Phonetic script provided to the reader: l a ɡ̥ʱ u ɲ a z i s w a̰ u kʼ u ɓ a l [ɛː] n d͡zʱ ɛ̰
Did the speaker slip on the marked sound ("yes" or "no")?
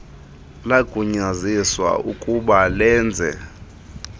no